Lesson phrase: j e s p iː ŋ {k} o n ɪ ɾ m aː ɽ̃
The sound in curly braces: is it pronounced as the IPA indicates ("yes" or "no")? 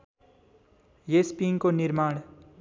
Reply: yes